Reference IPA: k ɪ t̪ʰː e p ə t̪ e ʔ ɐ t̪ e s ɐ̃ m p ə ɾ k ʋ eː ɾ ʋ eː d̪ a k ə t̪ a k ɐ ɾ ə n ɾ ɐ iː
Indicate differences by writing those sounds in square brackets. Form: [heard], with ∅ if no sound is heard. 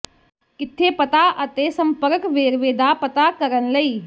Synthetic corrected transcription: k ɪ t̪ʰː e p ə t̪ [a] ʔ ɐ t̪ e s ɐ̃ m p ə ɾ k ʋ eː ɾ ʋ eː d̪ a [p] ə t̪ a k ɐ ɾ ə n [l] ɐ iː